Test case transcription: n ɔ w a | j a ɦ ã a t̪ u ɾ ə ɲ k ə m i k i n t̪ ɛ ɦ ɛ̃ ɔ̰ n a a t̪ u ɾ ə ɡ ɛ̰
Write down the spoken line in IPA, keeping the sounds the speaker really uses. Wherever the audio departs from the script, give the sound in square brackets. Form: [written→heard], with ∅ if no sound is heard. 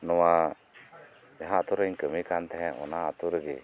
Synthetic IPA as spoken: n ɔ w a | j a ɦ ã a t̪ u ɾ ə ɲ k ə m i k [i→a] n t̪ ɛ ɦ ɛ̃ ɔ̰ n a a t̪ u ɾ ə ɡ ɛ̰